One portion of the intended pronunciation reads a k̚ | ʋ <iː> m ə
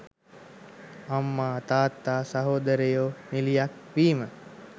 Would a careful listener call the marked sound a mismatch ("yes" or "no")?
no